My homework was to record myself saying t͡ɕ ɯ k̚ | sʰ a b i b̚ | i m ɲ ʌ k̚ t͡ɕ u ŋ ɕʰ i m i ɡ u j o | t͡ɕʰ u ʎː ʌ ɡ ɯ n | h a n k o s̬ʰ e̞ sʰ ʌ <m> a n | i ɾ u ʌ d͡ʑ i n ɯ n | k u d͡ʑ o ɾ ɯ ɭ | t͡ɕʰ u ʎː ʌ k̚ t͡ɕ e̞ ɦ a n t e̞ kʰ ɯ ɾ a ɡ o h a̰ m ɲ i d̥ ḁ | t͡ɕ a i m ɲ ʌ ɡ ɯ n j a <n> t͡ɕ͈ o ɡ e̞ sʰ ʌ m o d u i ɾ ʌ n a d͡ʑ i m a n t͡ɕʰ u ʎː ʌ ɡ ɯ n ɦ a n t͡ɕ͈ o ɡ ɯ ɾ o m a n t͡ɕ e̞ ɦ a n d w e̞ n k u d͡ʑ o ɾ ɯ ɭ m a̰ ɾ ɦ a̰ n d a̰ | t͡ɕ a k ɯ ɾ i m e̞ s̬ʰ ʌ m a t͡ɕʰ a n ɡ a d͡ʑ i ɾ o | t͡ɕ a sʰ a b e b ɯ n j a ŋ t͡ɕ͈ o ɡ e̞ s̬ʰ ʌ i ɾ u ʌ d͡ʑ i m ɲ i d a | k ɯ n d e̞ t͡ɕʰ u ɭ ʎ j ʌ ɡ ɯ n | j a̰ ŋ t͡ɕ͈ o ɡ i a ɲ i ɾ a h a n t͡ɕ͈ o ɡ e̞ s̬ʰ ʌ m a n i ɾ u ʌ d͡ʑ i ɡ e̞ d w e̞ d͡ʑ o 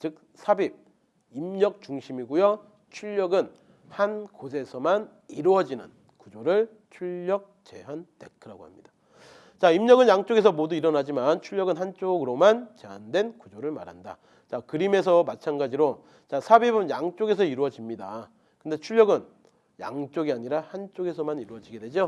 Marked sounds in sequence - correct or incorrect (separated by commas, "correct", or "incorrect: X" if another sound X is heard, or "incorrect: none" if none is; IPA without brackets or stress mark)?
correct, incorrect: ŋ